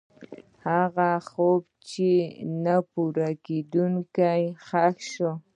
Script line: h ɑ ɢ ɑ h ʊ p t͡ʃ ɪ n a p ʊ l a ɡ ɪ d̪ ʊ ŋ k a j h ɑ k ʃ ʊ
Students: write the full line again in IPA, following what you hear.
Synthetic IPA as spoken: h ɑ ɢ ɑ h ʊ p t͡ʃ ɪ n a p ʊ ɾ a k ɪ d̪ ʊ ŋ k a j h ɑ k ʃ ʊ

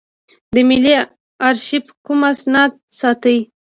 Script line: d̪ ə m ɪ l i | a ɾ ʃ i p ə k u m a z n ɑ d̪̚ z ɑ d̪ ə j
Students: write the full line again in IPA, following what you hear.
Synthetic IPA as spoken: d̪ ə m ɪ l i | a ɾ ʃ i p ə k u m a s n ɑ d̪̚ s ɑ t̪ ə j

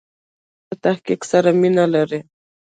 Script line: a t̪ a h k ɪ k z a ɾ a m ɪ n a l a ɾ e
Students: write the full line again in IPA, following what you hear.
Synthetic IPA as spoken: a t̪ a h k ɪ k s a ɾ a m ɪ n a l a ɾ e

